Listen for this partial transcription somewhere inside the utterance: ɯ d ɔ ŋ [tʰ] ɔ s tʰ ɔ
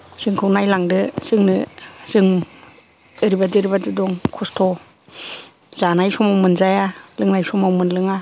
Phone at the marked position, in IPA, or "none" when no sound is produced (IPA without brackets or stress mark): kʰ